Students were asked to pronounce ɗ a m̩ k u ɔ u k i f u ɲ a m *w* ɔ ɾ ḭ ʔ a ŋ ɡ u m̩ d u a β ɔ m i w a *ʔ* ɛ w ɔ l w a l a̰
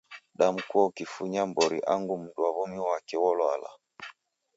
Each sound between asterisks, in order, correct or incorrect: incorrect, incorrect

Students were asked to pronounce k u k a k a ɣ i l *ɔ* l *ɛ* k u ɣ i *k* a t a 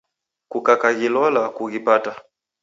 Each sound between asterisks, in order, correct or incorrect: correct, incorrect, incorrect

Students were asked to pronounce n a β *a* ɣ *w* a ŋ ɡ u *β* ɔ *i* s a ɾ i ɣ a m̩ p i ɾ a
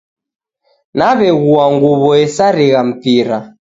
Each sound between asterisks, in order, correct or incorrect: incorrect, incorrect, correct, incorrect

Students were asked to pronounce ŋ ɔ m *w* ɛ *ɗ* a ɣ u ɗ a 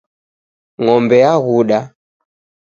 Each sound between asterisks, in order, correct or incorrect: incorrect, incorrect

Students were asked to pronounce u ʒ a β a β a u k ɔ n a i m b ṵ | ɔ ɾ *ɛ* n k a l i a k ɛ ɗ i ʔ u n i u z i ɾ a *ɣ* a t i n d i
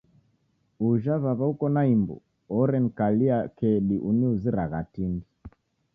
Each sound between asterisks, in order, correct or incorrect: correct, correct

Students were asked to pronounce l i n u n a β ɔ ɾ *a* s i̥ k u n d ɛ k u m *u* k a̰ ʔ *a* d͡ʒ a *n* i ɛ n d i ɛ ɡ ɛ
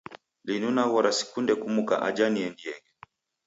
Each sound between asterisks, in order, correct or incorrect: correct, correct, correct, correct

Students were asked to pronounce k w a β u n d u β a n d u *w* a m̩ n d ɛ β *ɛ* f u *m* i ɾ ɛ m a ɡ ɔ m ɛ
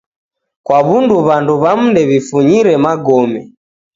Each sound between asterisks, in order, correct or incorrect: incorrect, incorrect, incorrect

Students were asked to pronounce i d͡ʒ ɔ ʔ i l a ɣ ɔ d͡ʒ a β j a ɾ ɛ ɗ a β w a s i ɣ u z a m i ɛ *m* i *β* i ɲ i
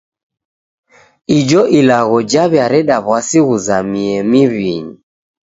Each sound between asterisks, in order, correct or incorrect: correct, correct

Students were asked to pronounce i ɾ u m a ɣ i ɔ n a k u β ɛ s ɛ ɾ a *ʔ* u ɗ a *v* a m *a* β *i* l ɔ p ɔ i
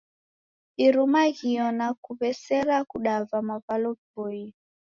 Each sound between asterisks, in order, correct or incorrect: incorrect, correct, correct, incorrect

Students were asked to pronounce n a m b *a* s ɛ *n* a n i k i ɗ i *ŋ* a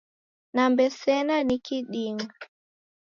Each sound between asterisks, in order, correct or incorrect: incorrect, correct, correct

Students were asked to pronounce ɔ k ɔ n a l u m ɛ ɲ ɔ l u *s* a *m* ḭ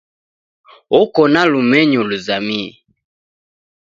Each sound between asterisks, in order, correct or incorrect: incorrect, correct

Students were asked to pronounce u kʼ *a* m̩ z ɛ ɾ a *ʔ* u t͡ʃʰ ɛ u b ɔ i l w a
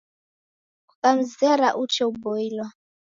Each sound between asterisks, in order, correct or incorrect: correct, correct

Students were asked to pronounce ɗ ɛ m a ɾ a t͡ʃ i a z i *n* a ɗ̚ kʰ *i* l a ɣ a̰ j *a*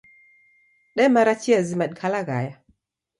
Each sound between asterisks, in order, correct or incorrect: incorrect, incorrect, correct

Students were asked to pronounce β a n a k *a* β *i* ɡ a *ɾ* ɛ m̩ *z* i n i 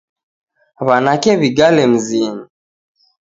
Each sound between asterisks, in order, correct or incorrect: incorrect, correct, incorrect, correct

